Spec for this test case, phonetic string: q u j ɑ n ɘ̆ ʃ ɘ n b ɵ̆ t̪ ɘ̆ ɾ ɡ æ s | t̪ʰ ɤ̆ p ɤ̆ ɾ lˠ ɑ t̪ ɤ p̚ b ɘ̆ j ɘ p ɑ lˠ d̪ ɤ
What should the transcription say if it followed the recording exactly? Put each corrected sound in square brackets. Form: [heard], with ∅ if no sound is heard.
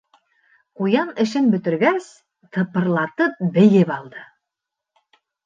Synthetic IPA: q u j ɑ n ɘ̆ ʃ ɘ n b ɵ̆ t̪ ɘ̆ ɾ ɡ æ s | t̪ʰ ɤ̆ p ɤ̆ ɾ lˠ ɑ t̪ ɤ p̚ b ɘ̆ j ɘ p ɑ lˠ d̪ ɤ

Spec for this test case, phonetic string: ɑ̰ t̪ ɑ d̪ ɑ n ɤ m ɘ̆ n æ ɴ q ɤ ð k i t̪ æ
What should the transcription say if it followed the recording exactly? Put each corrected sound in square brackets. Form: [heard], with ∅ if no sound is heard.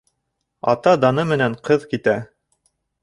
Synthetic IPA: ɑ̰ t̪ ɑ d̪ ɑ n ɤ m ɘ̆ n æ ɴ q ɤ ð k i t̪ æ

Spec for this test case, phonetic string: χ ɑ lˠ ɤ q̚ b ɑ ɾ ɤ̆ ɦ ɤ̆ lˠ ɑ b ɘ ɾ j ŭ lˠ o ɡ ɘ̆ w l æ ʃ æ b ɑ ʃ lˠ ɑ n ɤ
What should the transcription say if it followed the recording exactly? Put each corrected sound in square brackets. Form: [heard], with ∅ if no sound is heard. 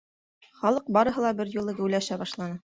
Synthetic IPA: χ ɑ lˠ ɤ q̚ b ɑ ɾ ɤ̆ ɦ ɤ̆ lˠ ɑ b ɘ ɾ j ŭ lˠ [ɤ] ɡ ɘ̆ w l æ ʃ æ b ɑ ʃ lˠ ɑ n ɤ

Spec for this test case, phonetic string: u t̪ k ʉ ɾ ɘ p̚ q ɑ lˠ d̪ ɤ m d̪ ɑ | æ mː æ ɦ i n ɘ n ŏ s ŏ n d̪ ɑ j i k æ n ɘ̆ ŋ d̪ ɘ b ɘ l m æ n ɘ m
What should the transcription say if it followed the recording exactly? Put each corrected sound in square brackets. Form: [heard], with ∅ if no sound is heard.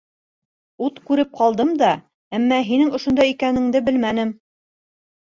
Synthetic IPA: u t̪ k ʉ ɾ ɘ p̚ q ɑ lˠ d̪ ɤ m d̪ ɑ | æ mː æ ɦ i n ɘ [ŋ] ŏ [ʃ] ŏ n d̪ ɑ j i k æ n ɘ̆ ŋ d̪ ɘ b ɘ l m æ n ɘ m

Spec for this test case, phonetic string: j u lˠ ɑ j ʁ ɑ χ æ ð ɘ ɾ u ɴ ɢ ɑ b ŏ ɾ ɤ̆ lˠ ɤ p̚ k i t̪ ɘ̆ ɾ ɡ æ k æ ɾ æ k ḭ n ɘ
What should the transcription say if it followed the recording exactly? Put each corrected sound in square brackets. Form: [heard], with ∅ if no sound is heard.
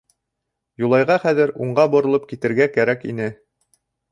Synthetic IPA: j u lˠ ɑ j ʁ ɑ χ æ ð ɘ ɾ u ɴ ɢ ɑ b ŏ ɾ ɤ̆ lˠ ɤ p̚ k i t̪ ɘ̆ ɾ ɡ æ k æ ɾ æ k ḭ n ɘ

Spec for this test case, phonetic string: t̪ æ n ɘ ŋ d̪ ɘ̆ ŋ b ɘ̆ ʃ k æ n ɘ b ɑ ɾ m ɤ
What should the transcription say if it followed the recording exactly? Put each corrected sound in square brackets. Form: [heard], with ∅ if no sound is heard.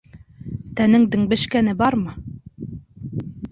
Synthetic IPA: t̪ æ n ɘ ŋ d̪ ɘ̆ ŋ b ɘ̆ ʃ k æ n ɘ b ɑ ɾ m ɤ

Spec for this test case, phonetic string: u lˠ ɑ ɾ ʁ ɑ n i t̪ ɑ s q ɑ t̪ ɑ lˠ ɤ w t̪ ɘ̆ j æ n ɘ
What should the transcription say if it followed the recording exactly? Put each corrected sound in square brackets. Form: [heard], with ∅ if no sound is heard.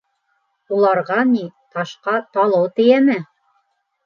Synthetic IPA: u lˠ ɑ ɾ ʁ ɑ n i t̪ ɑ [ʃ] q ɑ t̪ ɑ lˠ ɤ w t̪ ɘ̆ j æ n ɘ

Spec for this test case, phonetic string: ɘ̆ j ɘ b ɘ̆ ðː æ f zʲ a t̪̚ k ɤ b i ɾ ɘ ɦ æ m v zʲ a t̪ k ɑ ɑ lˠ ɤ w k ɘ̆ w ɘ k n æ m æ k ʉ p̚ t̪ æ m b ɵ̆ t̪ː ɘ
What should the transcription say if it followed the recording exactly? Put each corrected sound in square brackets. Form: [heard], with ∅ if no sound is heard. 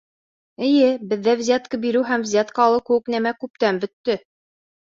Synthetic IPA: ɘ̆ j ɘ b ɘ̆ ðː æ [v] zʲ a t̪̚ k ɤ b i ɾ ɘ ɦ æ m v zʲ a t̪ k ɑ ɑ lˠ ɤ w k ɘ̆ w ɘ k n æ m æ k ʉ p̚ t̪ æ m b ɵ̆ t̪ː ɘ

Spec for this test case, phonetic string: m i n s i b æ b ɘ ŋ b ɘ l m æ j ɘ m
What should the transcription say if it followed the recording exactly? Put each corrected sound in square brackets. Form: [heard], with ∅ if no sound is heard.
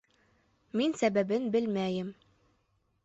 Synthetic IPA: m i n s [æ] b æ b ɘ [n] b ɘ l m æ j ɘ m

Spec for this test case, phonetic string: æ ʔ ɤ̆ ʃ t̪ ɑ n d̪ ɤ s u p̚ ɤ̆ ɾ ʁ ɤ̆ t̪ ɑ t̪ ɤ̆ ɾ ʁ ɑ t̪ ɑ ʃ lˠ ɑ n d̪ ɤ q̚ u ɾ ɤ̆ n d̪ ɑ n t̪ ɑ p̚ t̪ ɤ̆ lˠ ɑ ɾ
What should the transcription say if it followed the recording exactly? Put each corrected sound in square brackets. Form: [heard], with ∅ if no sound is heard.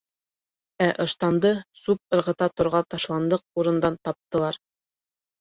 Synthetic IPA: æ ʔ ɤ̆ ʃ t̪ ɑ n d̪ ɤ s u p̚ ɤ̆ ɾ ʁ ɤ̆ t̪ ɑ t̪ [ŏ] ɾ ʁ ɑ t̪ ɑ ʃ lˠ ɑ n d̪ ɤ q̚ u ɾ ɤ̆ n d̪ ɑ n t̪ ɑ p̚ t̪ ɤ̆ lˠ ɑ ɾ

